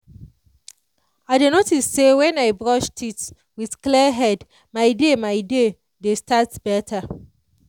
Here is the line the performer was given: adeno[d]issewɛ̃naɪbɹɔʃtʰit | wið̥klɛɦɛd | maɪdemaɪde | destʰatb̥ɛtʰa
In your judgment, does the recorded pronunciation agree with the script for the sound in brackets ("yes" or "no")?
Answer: no